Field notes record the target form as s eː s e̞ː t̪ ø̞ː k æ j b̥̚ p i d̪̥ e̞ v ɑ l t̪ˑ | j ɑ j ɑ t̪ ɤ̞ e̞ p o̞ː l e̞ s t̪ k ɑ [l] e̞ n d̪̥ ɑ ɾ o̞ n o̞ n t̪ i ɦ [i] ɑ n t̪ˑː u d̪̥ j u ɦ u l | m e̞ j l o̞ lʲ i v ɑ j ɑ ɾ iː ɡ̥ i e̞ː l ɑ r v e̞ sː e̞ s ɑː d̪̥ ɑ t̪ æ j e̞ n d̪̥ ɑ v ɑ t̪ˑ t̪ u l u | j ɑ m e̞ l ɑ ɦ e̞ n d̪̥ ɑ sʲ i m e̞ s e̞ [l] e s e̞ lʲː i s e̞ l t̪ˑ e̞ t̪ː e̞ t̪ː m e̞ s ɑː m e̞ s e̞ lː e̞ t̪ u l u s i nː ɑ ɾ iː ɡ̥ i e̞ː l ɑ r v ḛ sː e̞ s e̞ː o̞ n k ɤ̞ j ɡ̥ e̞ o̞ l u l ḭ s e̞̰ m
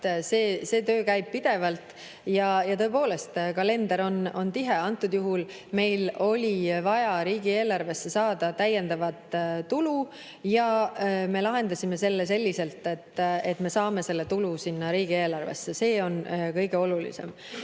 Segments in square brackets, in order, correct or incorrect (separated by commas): correct, incorrect, incorrect